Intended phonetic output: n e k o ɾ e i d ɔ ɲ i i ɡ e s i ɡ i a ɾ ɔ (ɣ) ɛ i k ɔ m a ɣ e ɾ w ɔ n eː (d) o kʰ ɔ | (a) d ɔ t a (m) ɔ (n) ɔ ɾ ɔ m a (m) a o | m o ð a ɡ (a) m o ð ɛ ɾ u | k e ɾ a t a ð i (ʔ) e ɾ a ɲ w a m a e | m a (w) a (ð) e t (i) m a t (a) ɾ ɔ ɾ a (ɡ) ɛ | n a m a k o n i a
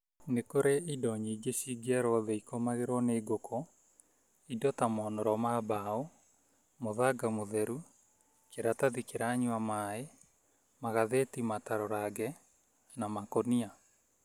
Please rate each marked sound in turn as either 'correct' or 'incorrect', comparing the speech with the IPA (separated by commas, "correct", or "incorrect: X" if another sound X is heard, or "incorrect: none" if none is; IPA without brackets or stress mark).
incorrect: ð, incorrect: ɡ, incorrect: i, correct, correct, incorrect: b, correct, incorrect: k, incorrect: ɣ, correct, correct, correct, correct